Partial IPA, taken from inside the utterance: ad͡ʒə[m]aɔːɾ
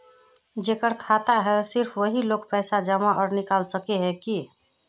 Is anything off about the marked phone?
no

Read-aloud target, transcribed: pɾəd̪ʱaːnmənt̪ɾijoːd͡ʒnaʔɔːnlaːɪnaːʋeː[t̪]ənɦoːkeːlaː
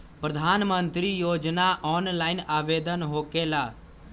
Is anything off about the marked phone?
yes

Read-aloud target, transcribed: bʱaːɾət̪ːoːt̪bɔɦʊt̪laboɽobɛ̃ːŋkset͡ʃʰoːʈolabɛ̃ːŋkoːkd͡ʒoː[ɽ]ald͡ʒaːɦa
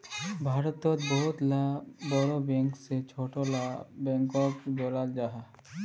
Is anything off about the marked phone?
yes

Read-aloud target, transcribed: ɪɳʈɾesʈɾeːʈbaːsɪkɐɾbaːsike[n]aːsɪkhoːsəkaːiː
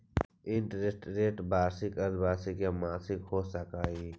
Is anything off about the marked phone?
yes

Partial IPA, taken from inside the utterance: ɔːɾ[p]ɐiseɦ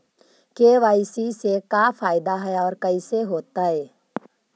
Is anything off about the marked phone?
yes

